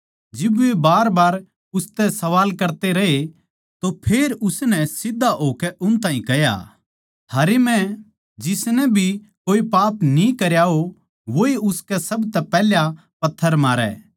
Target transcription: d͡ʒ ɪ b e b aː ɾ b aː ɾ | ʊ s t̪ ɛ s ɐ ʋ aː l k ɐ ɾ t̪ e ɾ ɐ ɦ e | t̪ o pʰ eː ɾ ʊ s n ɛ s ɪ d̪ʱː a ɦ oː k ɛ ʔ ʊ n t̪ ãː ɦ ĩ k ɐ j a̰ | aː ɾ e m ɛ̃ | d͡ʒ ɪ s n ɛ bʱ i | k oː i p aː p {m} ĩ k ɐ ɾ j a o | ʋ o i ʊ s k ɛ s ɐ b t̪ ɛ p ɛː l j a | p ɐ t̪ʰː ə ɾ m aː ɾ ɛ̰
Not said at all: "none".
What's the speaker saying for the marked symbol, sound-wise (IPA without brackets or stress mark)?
n